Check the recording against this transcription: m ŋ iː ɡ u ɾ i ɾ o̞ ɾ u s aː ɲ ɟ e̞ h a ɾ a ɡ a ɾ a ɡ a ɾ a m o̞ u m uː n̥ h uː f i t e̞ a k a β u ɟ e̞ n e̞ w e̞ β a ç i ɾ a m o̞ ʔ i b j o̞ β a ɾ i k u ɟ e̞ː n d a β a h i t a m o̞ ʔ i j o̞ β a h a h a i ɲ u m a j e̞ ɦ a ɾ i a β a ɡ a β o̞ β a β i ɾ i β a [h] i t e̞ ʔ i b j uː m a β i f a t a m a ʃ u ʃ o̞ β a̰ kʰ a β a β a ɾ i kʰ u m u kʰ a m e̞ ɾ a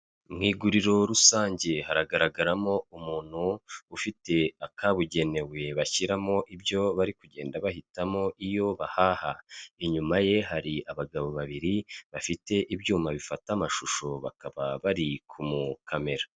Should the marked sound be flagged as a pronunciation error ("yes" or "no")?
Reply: yes